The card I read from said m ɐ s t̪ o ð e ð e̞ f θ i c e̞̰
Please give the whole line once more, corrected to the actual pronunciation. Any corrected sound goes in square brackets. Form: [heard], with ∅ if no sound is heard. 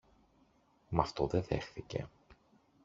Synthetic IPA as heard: m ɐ [f] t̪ o ð e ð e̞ [x] θ i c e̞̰